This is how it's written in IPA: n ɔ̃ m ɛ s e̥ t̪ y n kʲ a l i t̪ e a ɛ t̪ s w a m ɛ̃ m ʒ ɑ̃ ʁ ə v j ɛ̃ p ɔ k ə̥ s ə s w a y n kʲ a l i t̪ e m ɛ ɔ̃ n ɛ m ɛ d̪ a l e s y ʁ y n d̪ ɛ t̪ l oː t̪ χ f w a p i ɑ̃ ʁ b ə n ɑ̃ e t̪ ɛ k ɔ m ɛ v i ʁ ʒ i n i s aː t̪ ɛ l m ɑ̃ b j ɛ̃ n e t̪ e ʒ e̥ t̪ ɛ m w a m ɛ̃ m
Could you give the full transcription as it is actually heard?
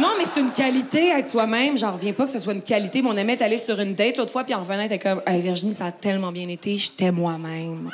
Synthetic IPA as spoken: n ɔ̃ m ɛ s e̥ t̪ y n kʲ a l i t̪ e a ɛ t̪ s w a m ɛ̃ m ʒ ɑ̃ ʁ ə v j ɛ̃ p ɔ k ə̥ s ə s w a y n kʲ a l i t̪ e m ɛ ɔ̃ n ɛ m ɛ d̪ a l e s y ʁ y n d̪ ɛ t̪ l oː t̪ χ f w a p i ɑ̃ ʁ v ə n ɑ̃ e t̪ ɛ k ɔ m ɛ v i ʁ ʒ i n i s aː t̪ ɛ l m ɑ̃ b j ɛ̃ n e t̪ e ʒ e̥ t̪ ɛ m w a m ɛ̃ m